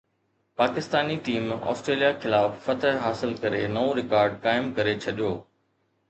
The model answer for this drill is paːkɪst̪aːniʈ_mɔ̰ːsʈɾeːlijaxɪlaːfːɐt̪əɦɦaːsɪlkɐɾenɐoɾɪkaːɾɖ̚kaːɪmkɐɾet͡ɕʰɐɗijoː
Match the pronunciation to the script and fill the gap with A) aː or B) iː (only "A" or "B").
B